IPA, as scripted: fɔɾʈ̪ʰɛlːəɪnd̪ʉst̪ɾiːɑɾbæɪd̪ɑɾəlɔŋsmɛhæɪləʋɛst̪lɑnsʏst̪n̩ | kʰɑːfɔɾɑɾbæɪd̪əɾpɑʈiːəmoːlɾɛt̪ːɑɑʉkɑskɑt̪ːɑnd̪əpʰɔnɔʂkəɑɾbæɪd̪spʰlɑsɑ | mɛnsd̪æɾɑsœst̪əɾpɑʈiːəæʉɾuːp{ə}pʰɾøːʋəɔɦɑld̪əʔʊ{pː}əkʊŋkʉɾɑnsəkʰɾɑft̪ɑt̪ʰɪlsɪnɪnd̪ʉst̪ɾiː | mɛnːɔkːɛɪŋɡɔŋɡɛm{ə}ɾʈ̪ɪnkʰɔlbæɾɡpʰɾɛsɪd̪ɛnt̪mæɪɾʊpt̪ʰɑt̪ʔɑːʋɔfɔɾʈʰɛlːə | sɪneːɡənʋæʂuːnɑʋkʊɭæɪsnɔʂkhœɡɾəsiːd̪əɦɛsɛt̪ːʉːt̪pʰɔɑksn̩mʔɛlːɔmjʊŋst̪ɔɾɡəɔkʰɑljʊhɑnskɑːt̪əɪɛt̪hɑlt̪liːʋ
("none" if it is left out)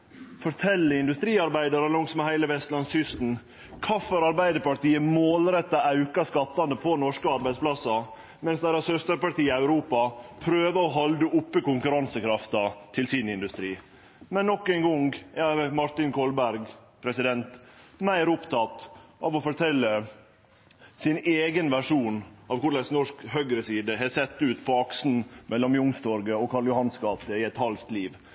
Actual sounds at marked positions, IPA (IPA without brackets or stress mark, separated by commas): ɑ, pː, ɑ